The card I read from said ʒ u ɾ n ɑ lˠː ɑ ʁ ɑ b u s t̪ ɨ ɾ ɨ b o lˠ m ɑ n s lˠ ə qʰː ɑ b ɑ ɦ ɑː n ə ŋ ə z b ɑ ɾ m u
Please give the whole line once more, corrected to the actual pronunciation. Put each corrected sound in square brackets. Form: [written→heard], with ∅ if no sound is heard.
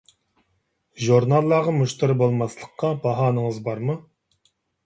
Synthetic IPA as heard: ʒ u ɾ n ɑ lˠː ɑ ʁ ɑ [b→m] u [s→ʃ] t̪ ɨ ɾ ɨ b o lˠ m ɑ [n→∅] s lˠ ə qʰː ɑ b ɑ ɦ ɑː n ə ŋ ə z b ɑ ɾ m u